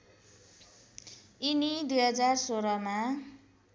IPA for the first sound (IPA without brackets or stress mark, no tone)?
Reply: i